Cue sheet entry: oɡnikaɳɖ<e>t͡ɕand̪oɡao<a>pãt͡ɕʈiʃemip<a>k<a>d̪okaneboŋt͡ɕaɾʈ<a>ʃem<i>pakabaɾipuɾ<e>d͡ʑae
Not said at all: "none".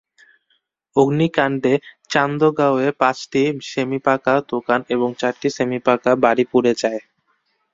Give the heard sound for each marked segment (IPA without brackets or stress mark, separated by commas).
e, e, a, a, i, i, e